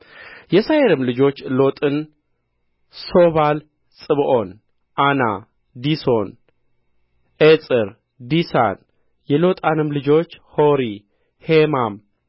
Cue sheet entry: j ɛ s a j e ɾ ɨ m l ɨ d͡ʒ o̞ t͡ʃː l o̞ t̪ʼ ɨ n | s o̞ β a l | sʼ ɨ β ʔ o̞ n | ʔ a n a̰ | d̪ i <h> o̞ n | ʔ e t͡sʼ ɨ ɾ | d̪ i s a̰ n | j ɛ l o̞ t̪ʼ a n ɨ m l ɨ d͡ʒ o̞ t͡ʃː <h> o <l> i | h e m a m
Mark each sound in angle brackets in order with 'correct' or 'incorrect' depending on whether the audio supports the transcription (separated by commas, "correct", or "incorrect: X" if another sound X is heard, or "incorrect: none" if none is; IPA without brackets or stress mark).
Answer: incorrect: s, correct, incorrect: ɾ